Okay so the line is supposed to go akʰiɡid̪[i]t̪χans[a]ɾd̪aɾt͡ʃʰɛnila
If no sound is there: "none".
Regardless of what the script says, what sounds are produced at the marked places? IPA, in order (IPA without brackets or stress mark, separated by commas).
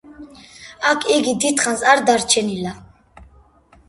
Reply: i, a